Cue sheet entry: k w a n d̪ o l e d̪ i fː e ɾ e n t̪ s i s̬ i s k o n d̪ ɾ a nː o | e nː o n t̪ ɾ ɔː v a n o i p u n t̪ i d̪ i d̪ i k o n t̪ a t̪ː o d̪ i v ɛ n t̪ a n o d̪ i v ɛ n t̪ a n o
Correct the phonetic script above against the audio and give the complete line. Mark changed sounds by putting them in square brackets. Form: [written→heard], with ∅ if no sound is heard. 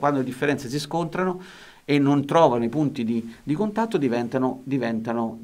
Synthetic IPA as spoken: k w a n d̪ o l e d̪ i fː e ɾ [e→ɛ] n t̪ s [i→e] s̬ i s k o n [d̪→t̪] ɾ a [nː→n] o | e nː o n t̪ ɾ ɔː v a n o i p u n t̪ i d̪ i d̪ i k o n t̪ a t̪ː o d̪ i v ɛ n t̪ a n o d̪ i v ɛ n t̪ a n o